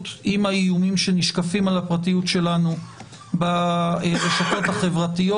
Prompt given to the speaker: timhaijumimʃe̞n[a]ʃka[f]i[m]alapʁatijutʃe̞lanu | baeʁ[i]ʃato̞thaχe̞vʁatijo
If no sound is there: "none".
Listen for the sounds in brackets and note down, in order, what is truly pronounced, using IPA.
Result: i, f, m, e

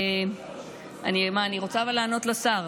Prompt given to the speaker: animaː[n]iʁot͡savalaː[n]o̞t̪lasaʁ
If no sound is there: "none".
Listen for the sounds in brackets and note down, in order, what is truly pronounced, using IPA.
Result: n, n

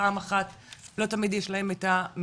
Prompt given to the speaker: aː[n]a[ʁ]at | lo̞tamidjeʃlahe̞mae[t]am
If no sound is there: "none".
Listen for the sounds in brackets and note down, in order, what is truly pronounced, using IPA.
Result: m, χ, t

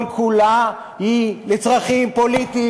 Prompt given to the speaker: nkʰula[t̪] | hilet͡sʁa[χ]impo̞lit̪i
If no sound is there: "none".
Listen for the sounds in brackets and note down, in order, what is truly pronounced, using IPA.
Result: none, χ

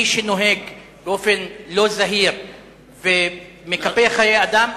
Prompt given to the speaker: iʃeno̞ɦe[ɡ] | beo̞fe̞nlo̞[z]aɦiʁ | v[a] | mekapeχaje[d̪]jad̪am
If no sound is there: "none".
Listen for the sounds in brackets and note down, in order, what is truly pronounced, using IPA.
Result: ɡ, z, e, none

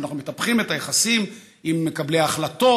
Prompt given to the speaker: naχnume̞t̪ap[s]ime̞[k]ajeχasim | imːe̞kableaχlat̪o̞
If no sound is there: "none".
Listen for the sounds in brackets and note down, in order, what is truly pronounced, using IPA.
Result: χ, t

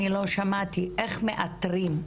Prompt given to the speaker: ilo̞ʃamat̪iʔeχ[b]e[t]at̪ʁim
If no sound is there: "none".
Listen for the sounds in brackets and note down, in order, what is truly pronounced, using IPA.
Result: m, ʔ

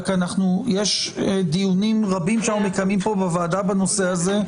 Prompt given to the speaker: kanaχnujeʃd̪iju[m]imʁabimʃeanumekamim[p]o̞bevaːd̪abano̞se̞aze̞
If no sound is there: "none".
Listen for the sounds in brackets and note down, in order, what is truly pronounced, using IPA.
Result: n, p

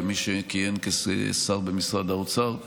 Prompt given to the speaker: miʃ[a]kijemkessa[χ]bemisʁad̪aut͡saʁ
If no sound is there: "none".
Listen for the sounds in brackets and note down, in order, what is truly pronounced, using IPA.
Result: e, ʁ

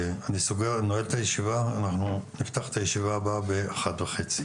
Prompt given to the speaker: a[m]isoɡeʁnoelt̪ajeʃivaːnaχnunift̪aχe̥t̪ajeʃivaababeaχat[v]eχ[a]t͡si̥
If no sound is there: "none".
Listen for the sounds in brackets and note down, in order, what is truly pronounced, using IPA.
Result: n, v, e

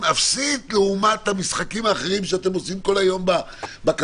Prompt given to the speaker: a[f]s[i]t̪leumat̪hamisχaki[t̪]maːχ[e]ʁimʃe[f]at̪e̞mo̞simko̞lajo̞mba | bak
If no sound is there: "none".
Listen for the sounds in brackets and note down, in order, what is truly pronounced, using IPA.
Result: f, i, none, e, none

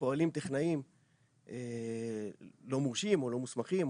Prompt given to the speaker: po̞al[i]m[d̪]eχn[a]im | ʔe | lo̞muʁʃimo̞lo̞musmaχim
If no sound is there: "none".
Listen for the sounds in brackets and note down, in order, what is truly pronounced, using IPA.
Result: i, t̪, a

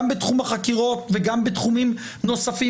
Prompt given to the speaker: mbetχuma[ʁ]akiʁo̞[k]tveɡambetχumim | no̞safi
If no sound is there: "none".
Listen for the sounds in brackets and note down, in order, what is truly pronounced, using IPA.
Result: χ, none

